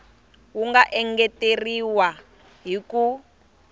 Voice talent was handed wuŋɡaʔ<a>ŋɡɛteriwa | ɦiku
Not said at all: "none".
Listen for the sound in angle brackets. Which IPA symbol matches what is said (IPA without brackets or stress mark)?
ɛ